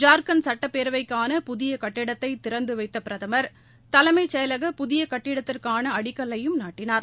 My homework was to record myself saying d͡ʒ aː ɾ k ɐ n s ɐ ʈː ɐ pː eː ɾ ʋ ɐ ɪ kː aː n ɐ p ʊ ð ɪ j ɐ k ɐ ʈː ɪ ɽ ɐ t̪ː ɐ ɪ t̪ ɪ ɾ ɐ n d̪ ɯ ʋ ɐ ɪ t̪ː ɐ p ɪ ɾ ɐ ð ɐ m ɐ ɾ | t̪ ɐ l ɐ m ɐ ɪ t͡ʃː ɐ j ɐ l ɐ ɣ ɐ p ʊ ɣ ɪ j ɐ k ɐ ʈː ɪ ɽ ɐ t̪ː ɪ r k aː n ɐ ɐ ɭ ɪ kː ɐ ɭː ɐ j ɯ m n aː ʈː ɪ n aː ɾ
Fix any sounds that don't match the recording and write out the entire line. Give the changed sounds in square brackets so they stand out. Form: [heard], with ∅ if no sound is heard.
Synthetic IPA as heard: d͡ʒ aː ɾ k ɐ n s ɐ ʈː ɐ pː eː ɾ ʋ ɐ ɪ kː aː n ɐ p ʊ ð ɪ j ɐ k ɐ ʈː ɪ ɽ ɐ t̪ː ɐ ɪ t̪ ɪ ɾ ɐ n d̪ ɯ ʋ ɐ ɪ t̪ː ɐ p ɪ ɾ ɐ ð ɐ m ɐ ɾ | t̪ ɐ l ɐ m ɐ ɪ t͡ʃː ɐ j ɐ l ɐ ɣ ɐ p ʊ [ð] ɪ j ɐ k ɐ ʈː ɪ ɽ ɐ t̪ː ɪ r k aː n ɐ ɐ [ɽ] ɪ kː ɐ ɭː ɐ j ɯ m n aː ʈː ɪ n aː ɾ